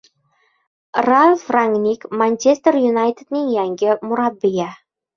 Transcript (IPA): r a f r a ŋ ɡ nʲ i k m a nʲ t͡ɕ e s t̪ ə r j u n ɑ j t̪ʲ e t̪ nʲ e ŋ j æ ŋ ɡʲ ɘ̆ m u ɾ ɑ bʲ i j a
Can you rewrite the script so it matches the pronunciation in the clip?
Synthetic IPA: r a f r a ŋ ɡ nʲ i k m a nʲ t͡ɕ e s t̪ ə r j u n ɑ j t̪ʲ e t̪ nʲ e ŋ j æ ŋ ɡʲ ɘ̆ m u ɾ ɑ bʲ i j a